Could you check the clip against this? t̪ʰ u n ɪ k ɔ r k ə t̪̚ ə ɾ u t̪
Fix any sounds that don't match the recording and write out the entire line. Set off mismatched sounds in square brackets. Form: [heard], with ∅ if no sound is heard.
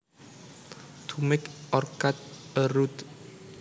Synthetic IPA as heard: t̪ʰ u [m] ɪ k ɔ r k [a] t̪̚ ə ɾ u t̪